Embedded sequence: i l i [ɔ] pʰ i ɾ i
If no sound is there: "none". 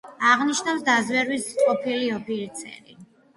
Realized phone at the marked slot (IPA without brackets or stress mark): ɔ